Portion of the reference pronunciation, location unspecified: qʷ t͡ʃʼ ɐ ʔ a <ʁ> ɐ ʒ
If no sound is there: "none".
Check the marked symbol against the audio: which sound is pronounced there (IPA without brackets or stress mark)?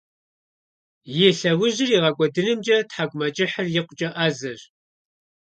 z